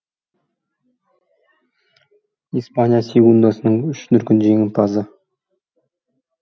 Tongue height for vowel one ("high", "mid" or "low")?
high